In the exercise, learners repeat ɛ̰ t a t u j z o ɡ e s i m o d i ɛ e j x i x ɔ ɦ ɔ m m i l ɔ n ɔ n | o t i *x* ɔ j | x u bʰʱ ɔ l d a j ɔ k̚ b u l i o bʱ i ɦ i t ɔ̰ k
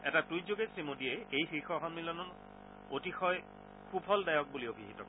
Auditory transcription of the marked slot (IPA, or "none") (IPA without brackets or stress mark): x